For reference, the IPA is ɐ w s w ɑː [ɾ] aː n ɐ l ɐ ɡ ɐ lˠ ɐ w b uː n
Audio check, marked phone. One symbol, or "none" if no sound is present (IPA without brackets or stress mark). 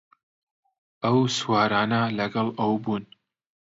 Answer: ɾ